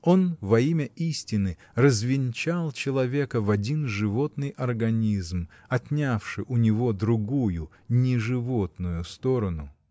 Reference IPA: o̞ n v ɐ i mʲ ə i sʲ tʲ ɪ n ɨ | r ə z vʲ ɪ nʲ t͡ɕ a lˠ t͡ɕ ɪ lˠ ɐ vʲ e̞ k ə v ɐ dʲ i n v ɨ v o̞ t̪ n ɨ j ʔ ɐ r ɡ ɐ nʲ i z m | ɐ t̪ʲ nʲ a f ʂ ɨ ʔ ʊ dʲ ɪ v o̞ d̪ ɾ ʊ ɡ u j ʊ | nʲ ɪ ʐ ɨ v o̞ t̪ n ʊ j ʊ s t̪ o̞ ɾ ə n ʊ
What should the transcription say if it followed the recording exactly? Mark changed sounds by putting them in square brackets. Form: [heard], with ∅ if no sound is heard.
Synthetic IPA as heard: o̞ n v ɐ i mʲ ə i sʲ tʲ ɪ n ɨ | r ə z vʲ ɪ nʲ t͡ɕ a lˠ t͡ɕ ɪ lˠ ɐ vʲ e̞ k ə v ɐ dʲ i n [ʐ] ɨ v o̞ t̪ n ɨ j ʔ ɐ r ɡ ɐ nʲ i z m | ɐ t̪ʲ nʲ a f ʂ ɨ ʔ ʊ [nʲ] ɪ v o̞ d̪ ɾ ʊ ɡ u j ʊ | nʲ ɪ ʐ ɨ v o̞ t̪ n ʊ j ʊ s t̪ o̞ ɾ ə n ʊ

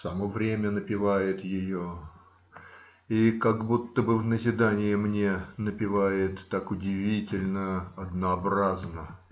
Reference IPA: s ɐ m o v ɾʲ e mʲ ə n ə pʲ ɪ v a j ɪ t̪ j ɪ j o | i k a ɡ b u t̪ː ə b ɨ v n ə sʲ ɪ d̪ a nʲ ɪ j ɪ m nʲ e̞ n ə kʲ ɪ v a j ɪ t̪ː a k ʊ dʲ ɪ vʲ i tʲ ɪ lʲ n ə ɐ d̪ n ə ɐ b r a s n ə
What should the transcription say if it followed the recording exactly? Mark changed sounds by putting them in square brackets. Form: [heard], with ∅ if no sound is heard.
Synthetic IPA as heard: s ɐ m o v ɾʲ e mʲ ə n ə pʲ ɪ v a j ɪ t̪ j ɪ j o | i k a ɡ b u t̪ː ə b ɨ v n ə [zʲ] ɪ d̪ a nʲ ɪ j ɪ m nʲ e̞ n ə [pʲ] ɪ v a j ɪ t̪ː a k ʊ dʲ ɪ vʲ i tʲ ɪ lʲ n ə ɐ d̪ n ə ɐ b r a [z] n ə

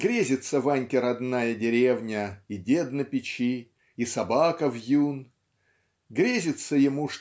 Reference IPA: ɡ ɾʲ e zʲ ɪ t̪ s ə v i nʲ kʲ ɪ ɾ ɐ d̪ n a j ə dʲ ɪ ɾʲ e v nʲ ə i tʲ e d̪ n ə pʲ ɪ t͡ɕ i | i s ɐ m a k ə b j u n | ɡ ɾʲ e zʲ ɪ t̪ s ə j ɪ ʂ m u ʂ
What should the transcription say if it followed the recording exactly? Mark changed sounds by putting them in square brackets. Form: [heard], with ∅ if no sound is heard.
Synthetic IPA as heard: ɡ ɾʲ e zʲ ɪ t̪ s ə v [a] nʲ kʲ ɪ ɾ ɐ d̪ n a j ə dʲ ɪ ɾʲ e v nʲ ə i [dʲ] e d̪ n ə pʲ ɪ t͡ɕ i | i s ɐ [b] a k ə [v] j u n | ɡ ɾʲ e zʲ ɪ t̪ s ə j ɪ [∅] m u ʂ

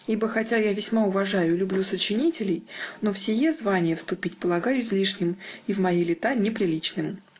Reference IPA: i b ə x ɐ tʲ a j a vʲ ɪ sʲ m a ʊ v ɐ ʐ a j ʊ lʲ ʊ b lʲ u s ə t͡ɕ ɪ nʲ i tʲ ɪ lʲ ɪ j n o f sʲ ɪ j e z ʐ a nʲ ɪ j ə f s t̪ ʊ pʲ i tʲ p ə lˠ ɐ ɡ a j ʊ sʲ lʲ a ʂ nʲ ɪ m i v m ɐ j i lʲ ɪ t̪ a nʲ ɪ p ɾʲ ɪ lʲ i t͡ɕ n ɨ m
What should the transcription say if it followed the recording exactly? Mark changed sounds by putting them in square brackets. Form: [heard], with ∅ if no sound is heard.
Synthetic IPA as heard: i b ə x ɐ tʲ a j a vʲ ɪ sʲ m a ʊ v ɐ ʐ a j ʊ lʲ ʊ b lʲ u s ə t͡ɕ ɪ nʲ i tʲ ɪ lʲ ɪ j n o f sʲ ɪ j e z [v] a nʲ ɪ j ə f s t̪ ʊ pʲ i tʲ p ə lˠ ɐ ɡ a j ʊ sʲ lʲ [i] ʂ nʲ ɪ m i v m ɐ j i lʲ ɪ t̪ a nʲ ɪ p ɾʲ ɪ lʲ i t͡ɕ n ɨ m

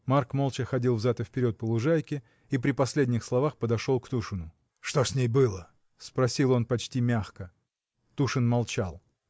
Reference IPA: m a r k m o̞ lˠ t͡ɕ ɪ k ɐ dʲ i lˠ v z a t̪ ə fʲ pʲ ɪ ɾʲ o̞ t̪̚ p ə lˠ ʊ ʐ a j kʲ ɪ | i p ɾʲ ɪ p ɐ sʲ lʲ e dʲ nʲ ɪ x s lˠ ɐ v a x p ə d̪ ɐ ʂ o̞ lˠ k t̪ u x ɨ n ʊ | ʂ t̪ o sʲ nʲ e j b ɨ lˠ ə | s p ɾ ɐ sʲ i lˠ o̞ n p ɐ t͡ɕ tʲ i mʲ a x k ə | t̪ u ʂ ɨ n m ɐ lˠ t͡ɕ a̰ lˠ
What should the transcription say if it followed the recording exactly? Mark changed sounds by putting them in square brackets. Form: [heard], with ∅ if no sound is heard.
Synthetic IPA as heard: m a r k m o̞ lˠ t͡ɕ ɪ [x] ɐ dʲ i lˠ v z a t̪ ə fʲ pʲ ɪ ɾʲ o̞ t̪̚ p ə lˠ ʊ ʐ a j kʲ ɪ | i p ɾʲ ɪ p ɐ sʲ lʲ e dʲ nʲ ɪ x s lˠ ɐ v a x p ə d̪ ɐ ʂ o̞ lˠ k t̪ u [ʂ] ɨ n ʊ | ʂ t̪ o sʲ nʲ e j b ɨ lˠ ə | s p ɾ ɐ sʲ i lˠ o̞ n p ɐ t͡ɕ tʲ i mʲ a x k ə | t̪ u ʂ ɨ n m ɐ lˠ t͡ɕ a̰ lˠ

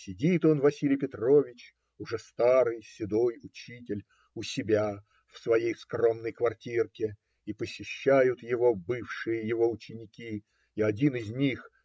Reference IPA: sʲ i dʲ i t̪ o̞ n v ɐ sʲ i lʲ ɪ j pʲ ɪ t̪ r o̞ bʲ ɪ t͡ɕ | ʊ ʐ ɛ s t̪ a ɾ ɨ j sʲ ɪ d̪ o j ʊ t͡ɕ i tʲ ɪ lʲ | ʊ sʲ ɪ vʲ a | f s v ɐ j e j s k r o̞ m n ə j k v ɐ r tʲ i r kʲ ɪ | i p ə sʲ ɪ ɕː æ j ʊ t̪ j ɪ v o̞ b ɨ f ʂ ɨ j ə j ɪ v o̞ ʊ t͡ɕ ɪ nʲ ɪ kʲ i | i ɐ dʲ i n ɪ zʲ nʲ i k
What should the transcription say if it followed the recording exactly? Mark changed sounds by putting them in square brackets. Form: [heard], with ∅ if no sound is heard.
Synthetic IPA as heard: sʲ [ɪ] dʲ i t̪ o̞ n v ɐ sʲ i lʲ ɪ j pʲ ɪ t̪ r o̞ [vʲ] ɪ t͡ɕ | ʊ ʐ ɛ s t̪ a ɾ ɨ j sʲ ɪ d̪ o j ʊ t͡ɕ i tʲ ɪ lʲ | ʊ sʲ ɪ [bʲ] a | f s v ɐ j e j s k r o̞ m n ə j k v ɐ r tʲ i r kʲ ɪ | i p ə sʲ ɪ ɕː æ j ʊ t̪ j ɪ v o̞ b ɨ f ʂ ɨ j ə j ɪ v o̞ ʊ t͡ɕ ɪ nʲ ɪ kʲ i | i ɐ dʲ i n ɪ zʲ nʲ i [x]

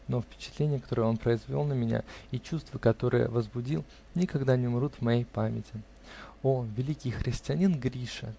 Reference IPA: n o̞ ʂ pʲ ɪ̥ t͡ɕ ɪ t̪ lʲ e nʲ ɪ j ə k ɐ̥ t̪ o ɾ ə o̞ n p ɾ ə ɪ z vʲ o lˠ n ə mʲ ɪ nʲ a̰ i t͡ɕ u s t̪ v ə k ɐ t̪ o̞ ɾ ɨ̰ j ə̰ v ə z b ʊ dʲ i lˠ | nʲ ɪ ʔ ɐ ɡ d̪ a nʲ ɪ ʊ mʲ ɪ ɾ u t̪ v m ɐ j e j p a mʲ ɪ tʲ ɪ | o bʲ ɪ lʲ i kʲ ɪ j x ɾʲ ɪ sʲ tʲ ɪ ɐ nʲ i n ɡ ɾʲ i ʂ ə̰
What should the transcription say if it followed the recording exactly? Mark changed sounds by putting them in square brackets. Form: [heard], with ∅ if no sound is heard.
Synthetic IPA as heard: n o̞ [f] pʲ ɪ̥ t͡ɕ ɪ t̪ lʲ e nʲ ɪ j ə k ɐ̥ t̪ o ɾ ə o̞ n p ɾ ə ɪ z vʲ o lˠ n ə mʲ ɪ nʲ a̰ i t͡ɕ u s t̪ v ə k ɐ t̪ o̞ ɾ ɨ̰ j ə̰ v ə z b ʊ dʲ i lˠ | nʲ ɪ [k] ɐ ɡ d̪ a nʲ ɪ ʊ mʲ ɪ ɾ u t̪ v m ɐ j e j p a mʲ ɪ tʲ ɪ | o [vʲ] ɪ lʲ i kʲ ɪ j x ɾʲ ɪ sʲ tʲ ɪ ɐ nʲ i n ɡ ɾʲ i ʂ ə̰

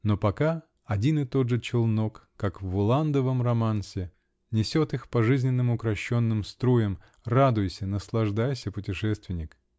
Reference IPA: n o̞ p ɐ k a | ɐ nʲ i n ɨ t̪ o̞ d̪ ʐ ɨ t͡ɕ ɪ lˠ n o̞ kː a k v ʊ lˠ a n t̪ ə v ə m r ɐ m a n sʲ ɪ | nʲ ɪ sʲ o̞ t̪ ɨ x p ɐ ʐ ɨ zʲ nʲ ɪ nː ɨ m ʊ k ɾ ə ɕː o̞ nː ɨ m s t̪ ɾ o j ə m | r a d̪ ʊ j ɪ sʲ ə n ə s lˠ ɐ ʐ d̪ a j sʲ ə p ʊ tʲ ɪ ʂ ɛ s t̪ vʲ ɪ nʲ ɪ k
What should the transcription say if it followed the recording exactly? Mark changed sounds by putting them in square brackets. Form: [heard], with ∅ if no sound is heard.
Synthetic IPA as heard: n o̞ p ɐ k a | ɐ [dʲ] i n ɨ t̪ o̞ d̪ ʐ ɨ t͡ɕ ɪ lˠ n o̞ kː a k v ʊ lˠ a n [d̪] ə v ə m r ɐ m a n sʲ ɪ | nʲ ɪ sʲ o̞ t̪ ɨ x p ɐ ʐ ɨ zʲ nʲ ɪ nː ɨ m ʊ k ɾ [ɐ] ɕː o̞ nː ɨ m s t̪ ɾ o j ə m | r a d̪ ʊ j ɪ sʲ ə n ə s lˠ ɐ ʐ d̪ a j sʲ ə p ʊ tʲ ɪ ʂ ɛ s t̪ vʲ ɪ nʲ ɪ k

